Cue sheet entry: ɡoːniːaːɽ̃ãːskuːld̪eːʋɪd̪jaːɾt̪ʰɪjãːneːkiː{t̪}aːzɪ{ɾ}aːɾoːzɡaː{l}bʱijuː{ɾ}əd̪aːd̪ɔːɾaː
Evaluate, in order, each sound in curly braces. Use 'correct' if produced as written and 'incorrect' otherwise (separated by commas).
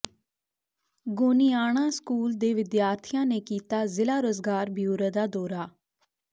correct, incorrect, incorrect, correct